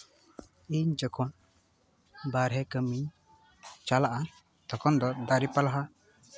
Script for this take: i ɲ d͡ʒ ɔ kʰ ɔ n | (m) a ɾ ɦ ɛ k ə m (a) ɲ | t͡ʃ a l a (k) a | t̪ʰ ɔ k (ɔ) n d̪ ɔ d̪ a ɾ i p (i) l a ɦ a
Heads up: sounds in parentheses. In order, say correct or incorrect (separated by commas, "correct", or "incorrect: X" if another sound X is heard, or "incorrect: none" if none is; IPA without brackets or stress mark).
incorrect: b, incorrect: i, incorrect: ʔ, correct, incorrect: a